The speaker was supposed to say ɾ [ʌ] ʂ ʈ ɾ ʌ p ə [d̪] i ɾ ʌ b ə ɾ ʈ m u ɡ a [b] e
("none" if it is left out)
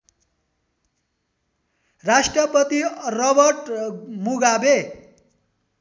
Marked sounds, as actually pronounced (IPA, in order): a, t̪, b

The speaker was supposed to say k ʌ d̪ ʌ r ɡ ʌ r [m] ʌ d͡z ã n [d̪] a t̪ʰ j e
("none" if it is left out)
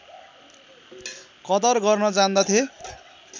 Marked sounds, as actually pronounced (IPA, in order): n, d̪

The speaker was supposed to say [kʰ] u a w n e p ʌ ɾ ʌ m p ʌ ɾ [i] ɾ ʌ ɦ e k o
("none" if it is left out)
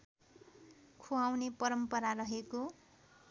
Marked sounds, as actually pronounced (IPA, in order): kʰ, a

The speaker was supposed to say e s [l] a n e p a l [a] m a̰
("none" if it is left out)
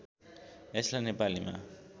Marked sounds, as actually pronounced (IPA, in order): l, i

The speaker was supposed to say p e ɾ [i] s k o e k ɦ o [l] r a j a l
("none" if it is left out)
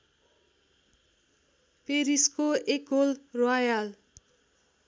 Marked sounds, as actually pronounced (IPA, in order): i, l

